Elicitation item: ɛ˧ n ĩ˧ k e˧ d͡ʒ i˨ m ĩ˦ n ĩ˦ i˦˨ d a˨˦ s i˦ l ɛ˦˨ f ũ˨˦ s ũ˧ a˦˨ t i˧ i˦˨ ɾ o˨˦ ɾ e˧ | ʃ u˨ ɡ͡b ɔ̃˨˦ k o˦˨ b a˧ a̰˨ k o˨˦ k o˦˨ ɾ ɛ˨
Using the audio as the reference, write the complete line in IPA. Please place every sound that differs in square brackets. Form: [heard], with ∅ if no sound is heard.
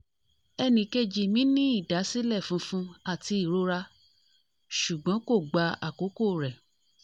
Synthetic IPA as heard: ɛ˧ n ĩ˧ k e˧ d͡ʒ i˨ m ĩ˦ n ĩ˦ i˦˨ d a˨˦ s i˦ l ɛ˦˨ f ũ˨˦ [f] ũ˧ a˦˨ t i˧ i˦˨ ɾ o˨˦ ɾ [a˧] | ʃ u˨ ɡ͡b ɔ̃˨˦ k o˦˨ [ɡ͡b] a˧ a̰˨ k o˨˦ k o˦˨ ɾ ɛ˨